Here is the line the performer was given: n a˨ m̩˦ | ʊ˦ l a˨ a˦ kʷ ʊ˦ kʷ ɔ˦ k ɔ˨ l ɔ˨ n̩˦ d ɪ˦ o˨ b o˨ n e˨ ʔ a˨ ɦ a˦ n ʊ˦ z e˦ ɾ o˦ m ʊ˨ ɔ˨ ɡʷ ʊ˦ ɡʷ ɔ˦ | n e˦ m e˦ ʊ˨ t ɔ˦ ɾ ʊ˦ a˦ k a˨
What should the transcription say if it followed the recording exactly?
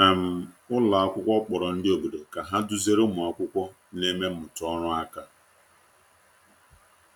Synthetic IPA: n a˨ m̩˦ | ʊ˦ l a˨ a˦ kʷ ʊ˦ kʷ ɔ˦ k͡p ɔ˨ ɾ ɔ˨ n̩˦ d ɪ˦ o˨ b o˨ d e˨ k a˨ ɦ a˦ d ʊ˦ z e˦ ɾ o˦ m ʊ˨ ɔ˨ kʷ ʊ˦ kʷ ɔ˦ | n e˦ m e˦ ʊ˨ t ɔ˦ ɾ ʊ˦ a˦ k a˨